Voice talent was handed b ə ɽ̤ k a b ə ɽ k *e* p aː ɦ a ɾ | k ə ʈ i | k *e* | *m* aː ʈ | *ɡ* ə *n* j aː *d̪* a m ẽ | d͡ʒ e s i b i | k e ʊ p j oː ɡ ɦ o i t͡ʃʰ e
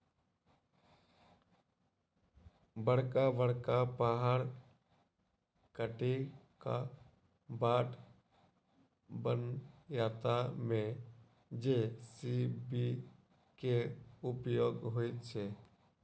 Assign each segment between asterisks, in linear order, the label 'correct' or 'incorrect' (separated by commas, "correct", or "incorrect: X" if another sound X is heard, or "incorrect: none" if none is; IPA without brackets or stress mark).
incorrect: a, incorrect: a, incorrect: b, incorrect: b, correct, incorrect: t̪